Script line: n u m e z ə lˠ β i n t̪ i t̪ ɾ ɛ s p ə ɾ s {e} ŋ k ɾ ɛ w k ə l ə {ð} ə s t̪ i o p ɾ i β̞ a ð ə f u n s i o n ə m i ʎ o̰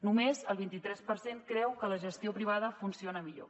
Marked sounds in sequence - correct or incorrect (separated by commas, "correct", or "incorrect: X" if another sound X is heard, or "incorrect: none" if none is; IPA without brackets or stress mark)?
correct, incorrect: ʒ